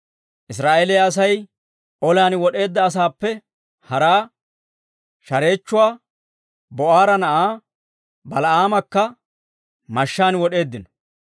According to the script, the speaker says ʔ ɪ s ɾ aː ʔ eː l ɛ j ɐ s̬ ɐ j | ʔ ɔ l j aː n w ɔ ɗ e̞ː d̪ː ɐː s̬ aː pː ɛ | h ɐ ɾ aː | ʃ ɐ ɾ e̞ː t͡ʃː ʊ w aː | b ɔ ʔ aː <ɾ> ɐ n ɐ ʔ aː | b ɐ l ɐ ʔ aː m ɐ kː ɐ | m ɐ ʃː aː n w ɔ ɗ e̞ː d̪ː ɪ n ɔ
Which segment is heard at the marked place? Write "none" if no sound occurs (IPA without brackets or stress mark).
ɾ